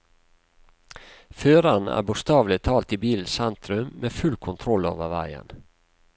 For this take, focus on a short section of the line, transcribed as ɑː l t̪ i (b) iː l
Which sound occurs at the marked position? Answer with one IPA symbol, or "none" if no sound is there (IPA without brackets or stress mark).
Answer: b